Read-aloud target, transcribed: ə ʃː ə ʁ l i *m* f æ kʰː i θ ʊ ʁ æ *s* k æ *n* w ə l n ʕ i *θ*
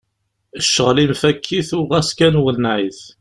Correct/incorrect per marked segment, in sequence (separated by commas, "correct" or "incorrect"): correct, correct, correct, correct